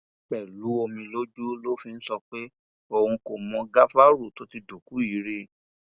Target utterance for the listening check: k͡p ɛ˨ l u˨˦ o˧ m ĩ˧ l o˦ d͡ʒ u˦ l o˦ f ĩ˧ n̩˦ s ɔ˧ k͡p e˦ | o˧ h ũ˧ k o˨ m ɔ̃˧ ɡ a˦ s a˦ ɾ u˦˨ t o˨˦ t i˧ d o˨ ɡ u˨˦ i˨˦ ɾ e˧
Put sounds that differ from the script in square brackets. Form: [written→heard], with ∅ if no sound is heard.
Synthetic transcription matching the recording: k͡p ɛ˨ l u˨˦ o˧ m ĩ˧ l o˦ d͡ʒ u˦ l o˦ f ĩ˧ n̩˦ s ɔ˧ k͡p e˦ | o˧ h ũ˧ k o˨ m ɔ̃˧ ɡ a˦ [s→f] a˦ ɾ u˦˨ t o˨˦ t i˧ d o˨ [ɡ→k] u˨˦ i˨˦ ɾ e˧